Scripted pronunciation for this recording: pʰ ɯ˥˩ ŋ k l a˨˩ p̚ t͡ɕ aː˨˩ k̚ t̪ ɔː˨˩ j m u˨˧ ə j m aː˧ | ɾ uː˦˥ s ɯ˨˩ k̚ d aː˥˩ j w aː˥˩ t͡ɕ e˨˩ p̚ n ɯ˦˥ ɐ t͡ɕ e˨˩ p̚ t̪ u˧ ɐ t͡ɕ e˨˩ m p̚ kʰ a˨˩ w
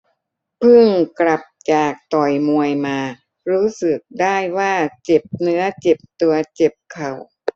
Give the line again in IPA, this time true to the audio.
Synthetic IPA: pʰ ɯ˥˩ ŋ k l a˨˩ p̚ t͡ɕ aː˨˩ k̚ t̪ ɔ˨˩ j m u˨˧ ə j m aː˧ | ɾ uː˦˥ s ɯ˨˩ k̚ d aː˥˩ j w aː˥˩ t͡ɕ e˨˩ p̚ n ɯ˦˥ ɐ t͡ɕ e˨˩ p̚ t̪ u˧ ɐ t͡ɕ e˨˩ p̚ kʰ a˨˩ w

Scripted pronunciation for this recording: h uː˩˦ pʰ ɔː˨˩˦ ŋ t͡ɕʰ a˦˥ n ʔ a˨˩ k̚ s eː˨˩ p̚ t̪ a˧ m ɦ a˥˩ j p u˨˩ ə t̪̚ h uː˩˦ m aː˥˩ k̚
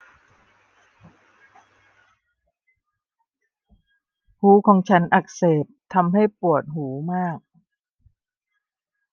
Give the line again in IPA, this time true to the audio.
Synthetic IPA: h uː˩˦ kʰ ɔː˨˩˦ ŋ t͡ɕʰ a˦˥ n ʔ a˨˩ k̚ s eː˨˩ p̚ t̪ʰ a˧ m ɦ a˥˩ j p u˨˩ ə t̪̚ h uː˩˦ m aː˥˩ k̚

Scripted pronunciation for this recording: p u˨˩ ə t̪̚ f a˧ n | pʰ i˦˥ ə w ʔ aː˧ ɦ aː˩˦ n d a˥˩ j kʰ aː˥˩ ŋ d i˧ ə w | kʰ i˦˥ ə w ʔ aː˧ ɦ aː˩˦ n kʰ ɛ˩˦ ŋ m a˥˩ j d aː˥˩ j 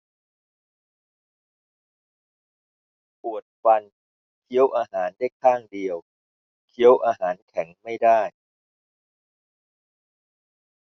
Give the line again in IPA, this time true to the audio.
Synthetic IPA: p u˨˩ ə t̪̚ f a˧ n | kʰ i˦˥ ə w ʔ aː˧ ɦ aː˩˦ n d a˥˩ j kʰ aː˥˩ ŋ d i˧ ə w | kʰ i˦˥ ə w ʔ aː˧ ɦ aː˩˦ n kʰ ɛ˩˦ ŋ m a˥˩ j d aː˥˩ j

